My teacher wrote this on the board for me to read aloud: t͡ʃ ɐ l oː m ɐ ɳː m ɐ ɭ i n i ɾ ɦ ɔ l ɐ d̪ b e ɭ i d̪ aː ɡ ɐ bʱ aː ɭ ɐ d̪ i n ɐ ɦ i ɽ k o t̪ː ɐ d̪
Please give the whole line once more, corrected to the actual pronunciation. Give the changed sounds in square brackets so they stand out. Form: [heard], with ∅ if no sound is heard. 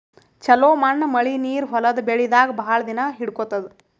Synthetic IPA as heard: t͡ʃ ɐ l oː m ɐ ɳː m ɐ ɭ i n [iː] ɾ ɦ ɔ l ɐ d̪ b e ɭ i d̪ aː ɡ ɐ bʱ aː ɭ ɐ d̪ i n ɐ ɦ i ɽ k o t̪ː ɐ d̪